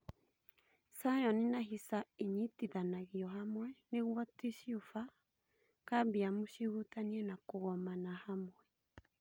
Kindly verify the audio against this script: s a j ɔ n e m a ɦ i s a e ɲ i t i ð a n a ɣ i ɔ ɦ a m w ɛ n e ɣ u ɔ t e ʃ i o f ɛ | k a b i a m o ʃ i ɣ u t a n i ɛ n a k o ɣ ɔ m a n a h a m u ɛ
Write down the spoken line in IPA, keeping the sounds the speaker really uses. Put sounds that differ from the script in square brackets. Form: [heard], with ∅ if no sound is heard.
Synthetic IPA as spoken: s a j ɔ n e [n] a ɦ i s a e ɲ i t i ð a n a ɣ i ɔ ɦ a m w ɛ n e ɣ [w] ɔ t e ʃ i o f [a] | k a b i a m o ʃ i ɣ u t a n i ɛ n a k o ɣ ɔ m a n a h a m [w] ɛ